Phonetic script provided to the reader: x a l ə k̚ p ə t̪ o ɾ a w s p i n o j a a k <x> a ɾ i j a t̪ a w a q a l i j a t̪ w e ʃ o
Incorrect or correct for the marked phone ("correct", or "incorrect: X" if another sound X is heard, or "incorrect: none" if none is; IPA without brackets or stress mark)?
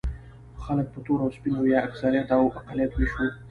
incorrect: s